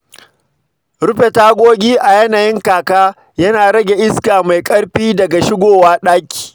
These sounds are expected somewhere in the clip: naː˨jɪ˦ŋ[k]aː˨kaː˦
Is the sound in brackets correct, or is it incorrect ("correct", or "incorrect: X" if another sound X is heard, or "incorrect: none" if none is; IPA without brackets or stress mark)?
correct